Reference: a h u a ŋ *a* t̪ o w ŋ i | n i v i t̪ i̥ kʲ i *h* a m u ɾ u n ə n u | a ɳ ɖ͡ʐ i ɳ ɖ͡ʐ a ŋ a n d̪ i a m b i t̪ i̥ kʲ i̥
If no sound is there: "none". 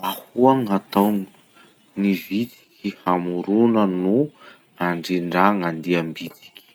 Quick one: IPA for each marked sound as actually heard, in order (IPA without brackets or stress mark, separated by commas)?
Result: a, h